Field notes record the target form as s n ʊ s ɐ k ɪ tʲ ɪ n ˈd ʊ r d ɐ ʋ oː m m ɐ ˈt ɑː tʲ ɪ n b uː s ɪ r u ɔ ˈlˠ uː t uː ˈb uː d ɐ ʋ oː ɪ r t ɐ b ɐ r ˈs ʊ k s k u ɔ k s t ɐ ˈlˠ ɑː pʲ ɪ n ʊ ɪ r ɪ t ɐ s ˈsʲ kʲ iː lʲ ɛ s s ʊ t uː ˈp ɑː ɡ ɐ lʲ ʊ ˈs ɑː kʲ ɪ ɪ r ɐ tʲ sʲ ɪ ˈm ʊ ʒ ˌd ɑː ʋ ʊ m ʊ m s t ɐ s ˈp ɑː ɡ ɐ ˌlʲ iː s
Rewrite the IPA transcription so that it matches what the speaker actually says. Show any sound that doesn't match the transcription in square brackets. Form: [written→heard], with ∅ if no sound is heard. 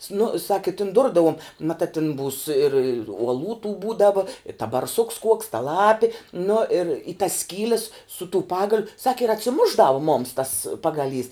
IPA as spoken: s n ʊ s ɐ k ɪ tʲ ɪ n ˈd ʊ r d ɐ ʋ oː m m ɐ ˈt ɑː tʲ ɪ n b uː s ɪ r u ɔ ˈlˠ uː t uː ˈb uː d ɐ ʋ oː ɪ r t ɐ b ɐ r ˈs ʊ k s k u ɔ k s t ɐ ˈlˠ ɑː pʲ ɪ n ʊ ɪ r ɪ t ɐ s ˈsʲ kʲ iː lʲ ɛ s s ʊ t uː ˈp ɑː ɡ ɐ lʲ ʊ ˈs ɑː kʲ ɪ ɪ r ɐ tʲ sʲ ɪ ˈm ʊ ʒ ˌd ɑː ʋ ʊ m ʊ m s t ɐ s ˈp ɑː ɡ ɐ ˌlʲ iː s